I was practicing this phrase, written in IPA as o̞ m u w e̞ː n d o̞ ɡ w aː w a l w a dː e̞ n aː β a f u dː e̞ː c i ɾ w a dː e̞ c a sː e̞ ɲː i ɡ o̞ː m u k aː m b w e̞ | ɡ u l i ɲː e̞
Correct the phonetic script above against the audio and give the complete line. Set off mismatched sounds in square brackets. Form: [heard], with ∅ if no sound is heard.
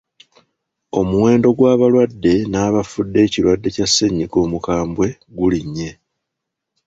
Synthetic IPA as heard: o̞ m u w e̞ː n d o̞ ɡ w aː [β] a l w a dː e̞ n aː β a f u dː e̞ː c i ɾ w a dː e̞ c a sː e̞ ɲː i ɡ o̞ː m u k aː m b w e̞ | ɡ u l i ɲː e̞